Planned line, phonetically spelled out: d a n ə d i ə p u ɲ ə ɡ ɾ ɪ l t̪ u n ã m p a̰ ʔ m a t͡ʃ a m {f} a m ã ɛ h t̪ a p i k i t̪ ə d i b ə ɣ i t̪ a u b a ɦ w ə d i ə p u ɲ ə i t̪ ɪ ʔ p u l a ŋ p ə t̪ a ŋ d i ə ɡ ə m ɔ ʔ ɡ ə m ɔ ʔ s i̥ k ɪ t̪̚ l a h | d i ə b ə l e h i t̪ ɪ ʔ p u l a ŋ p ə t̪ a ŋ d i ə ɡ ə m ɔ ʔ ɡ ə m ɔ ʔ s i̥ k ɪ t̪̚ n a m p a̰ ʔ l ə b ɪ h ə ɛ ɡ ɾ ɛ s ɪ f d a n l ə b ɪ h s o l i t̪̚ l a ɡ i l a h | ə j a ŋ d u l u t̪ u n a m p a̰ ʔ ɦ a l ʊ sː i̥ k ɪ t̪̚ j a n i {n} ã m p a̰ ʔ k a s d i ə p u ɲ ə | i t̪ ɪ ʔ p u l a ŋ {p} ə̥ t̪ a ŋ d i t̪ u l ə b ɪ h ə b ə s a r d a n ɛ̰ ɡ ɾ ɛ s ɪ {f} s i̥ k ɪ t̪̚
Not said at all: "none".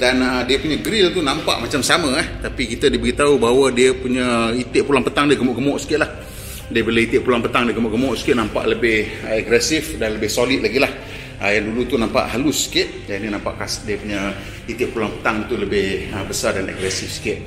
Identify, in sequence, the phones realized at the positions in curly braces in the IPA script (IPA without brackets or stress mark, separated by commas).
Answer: s, n, p, f